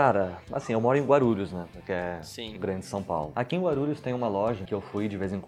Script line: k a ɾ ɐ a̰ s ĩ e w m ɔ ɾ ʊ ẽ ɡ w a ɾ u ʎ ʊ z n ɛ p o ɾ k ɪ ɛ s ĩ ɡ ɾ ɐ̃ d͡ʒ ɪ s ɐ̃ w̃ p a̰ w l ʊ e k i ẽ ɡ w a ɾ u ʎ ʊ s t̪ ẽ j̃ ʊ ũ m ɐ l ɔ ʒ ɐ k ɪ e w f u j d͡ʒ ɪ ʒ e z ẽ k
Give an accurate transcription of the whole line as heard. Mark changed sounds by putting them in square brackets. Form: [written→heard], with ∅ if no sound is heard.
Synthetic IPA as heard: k a ɾ ɐ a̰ s ĩ e w m ɔ ɾ ʊ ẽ ɡ w a ɾ u ʎ ʊ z n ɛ p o ɾ k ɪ ɛ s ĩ ɡ ɾ ɐ̃ d͡ʒ ɪ s ɐ̃ w̃ p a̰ w l ʊ [e→a] k i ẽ ɡ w a ɾ u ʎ ʊ s t̪ ẽ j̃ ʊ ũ m ɐ l ɔ ʒ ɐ k ɪ e w f u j d͡ʒ ɪ [ʒ→v] e z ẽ k